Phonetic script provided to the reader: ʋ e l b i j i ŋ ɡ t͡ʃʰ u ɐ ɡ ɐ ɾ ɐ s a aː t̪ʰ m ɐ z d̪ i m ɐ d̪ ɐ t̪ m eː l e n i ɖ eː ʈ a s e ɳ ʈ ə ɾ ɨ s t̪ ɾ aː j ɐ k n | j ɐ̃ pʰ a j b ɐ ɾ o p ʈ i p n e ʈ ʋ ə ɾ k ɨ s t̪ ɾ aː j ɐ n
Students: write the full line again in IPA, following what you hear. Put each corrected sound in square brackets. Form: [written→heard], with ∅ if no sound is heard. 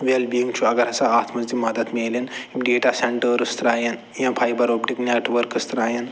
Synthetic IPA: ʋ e l b i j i ŋ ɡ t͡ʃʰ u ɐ ɡ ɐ ɾ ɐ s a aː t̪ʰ m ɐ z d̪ i m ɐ d̪ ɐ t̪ m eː l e n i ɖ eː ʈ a s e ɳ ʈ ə ɾ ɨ s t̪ ɾ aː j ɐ [k→∅] n | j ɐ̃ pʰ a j b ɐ ɾ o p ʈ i [p→k] n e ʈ ʋ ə ɾ k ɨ s t̪ ɾ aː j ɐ n

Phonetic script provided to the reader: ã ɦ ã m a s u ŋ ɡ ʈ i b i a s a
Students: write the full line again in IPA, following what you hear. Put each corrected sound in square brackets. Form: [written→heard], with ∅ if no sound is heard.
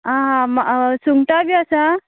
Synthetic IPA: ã ɦ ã m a s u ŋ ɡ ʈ [i→a] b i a s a

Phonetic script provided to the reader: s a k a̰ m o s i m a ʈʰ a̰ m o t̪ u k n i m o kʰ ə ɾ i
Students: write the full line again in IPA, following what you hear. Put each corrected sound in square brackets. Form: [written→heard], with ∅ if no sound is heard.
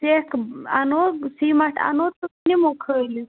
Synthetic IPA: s [a→e] k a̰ [m→n] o s i m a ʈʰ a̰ [m→n] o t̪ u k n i m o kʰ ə [ɾ→l] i

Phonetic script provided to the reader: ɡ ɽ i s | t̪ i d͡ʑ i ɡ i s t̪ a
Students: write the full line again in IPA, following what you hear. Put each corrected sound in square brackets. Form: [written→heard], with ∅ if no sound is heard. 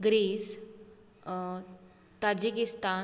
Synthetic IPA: ɡ [ɽ→ɾ] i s | t̪ [i→a] d͡ʑ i [ɡ→k] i s t̪ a

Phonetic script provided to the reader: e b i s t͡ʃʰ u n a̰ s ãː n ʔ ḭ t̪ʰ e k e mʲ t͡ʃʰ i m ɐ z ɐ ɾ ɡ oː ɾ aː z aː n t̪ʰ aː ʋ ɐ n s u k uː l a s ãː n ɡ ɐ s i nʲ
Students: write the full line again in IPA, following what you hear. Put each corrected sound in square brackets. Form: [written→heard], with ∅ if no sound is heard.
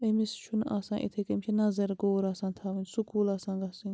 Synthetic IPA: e [b→m] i s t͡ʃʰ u n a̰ s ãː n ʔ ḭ t̪ʰ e k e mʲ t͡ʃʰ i [m→n] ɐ z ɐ ɾ ɡ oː ɾ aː [z→s] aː n t̪ʰ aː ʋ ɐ n s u k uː l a s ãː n ɡ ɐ s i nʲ

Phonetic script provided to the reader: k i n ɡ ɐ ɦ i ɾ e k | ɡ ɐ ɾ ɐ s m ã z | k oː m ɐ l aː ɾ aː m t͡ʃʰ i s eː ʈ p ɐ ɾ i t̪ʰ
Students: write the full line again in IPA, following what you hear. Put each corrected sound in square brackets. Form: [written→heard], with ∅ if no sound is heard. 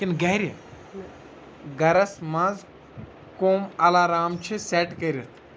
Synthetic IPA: k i n ɡ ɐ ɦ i ɾ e [k→∅] | ɡ ɐ ɾ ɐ s m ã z | k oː m ɐ l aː ɾ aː m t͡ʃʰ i s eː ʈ [p→k] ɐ ɾ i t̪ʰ

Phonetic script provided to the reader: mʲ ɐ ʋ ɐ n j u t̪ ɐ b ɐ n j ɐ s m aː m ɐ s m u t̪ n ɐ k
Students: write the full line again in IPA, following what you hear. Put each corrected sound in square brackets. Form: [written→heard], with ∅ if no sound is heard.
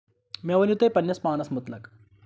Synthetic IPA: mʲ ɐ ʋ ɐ n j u t̪ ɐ [b→p] ɐ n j ɐ s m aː [m→n] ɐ s m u t̪ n ɐ k

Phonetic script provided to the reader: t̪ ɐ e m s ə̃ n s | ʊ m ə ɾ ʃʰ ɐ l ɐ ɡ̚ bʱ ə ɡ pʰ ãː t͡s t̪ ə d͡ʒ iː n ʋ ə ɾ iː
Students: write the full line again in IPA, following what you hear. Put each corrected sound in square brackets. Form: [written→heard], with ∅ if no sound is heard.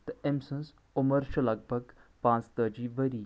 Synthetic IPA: t̪ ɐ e m s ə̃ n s | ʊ m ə ɾ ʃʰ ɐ l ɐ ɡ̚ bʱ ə ɡ [pʰ→p] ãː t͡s t̪ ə d͡ʒ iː [n→∅] ʋ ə ɾ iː

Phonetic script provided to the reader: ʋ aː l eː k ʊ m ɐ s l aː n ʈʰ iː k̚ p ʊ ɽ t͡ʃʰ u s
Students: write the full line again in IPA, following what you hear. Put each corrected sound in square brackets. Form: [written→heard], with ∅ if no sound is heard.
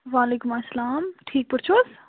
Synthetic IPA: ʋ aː l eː k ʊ m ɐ s l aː [n→m] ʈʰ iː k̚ p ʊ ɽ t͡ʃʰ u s

